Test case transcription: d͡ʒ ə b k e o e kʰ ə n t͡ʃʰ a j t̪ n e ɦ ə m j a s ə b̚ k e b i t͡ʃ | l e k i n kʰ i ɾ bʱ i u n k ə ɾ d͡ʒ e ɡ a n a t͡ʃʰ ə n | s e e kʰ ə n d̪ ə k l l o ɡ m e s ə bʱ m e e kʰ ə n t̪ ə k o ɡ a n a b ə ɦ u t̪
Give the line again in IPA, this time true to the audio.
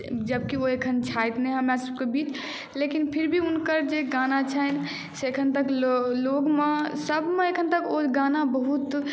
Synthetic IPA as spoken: d͡ʒ ə b k i o e kʰ ə n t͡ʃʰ a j t̪ n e ɦ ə m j a s ə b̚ k e b i t͡ʃ | l e k i n pʰ i ɾ bʱ i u n k ə ɾ d͡ʒ e ɡ a n a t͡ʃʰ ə n | s e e kʰ ə n t̪ ə k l l o ɡ m e s ə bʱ m e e kʰ ə n t̪ ə k o ɡ a n a b ə ɦ u t̪